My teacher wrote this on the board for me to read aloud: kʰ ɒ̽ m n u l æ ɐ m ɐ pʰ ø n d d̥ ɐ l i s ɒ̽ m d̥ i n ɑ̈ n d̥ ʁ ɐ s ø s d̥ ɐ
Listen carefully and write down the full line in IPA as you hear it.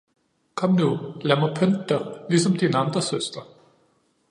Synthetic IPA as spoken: kʰ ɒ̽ m n u l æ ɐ m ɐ pʰ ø n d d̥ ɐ l i s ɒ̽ m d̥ i n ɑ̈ n d̥ ʁ ɐ s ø s d̥ ɐ